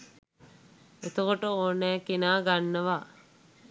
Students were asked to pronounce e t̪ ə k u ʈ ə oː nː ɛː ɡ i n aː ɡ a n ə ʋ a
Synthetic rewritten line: e t̪ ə k o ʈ ə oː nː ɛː k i n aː ɡ a nː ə ʋ a